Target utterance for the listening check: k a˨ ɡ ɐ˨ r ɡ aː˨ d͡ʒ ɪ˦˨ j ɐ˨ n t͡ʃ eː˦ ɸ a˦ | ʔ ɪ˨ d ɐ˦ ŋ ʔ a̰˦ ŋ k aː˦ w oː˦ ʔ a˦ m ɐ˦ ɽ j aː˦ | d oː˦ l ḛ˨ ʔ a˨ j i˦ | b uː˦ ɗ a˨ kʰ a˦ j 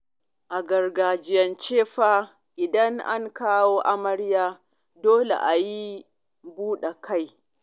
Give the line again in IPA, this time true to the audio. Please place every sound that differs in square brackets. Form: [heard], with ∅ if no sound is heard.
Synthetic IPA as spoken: [ʔ] a˨ ɡ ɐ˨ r ɡ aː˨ d͡ʒ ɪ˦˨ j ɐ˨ n t͡ʃ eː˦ ɸ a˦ | ʔ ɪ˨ d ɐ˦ ŋ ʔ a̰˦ ŋ k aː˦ w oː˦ ʔ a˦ m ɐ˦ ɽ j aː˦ | d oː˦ l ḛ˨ ʔ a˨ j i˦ | b uː˦ ɗ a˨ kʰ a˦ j